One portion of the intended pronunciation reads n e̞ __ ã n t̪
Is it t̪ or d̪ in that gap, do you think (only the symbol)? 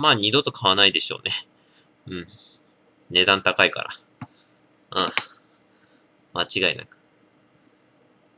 d̪